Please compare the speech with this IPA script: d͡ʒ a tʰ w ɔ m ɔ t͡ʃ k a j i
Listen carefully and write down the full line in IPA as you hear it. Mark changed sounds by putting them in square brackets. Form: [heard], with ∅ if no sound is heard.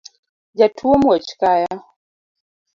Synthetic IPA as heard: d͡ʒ a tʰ [u] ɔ m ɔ t͡ʃ k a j [a]